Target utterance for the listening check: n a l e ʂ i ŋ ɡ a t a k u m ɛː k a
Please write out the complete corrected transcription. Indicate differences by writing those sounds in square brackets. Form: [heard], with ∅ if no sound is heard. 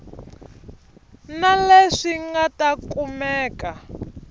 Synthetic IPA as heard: n a l e ʂ i ŋ ɡ a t a k u m ɛː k a

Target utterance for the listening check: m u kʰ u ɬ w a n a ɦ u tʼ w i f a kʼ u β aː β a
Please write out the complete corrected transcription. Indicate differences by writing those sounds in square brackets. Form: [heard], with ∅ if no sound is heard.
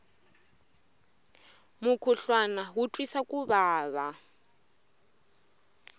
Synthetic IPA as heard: m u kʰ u ɬ w a n a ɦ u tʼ w i [s] a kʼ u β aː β a

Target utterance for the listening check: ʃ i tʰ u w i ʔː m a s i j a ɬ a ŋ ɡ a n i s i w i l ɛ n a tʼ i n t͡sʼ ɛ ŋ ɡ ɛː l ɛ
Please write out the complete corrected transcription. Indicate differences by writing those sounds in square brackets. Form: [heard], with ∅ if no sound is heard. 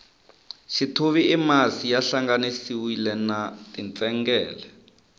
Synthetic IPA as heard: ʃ i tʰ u [β] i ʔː m a s i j a ɬ a ŋ ɡ a n i s i w i l ɛ n a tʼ i n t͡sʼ ɛ ŋ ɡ ɛː l ɛ

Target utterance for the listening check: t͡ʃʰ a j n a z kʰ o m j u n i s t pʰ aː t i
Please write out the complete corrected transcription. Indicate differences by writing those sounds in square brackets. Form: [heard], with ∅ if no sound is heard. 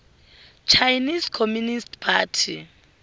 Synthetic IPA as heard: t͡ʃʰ a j n [i] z kʰ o m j u n i s t pʰ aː [tʰ] i

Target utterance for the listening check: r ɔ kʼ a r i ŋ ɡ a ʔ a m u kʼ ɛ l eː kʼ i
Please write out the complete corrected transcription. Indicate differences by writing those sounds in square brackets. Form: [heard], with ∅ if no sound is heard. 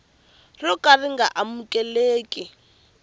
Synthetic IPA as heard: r ɔ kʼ a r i ŋ ɡ a ʔ a m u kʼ ɛ l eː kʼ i

